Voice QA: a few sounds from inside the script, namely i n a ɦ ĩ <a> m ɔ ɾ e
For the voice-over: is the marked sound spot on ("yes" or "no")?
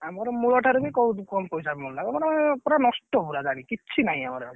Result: yes